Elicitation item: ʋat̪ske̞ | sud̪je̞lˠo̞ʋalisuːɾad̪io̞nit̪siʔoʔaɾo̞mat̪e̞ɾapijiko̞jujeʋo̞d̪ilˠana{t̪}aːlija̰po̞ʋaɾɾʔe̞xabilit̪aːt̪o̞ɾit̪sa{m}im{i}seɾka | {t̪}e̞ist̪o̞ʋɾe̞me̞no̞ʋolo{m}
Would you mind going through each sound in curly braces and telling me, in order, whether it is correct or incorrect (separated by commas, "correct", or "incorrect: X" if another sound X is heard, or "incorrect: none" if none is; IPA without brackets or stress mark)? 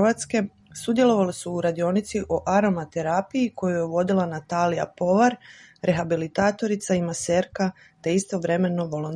correct, incorrect: none, incorrect: a, correct, incorrect: n